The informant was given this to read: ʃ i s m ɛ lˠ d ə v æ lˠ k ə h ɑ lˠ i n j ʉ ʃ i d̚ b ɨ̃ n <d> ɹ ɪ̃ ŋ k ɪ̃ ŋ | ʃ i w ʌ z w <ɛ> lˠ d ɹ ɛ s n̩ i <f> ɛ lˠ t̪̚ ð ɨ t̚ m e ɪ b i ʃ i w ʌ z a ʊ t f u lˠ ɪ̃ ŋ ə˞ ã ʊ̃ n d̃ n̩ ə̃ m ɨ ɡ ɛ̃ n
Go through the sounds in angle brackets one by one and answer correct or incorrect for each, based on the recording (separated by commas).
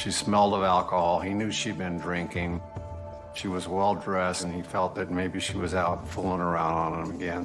correct, correct, correct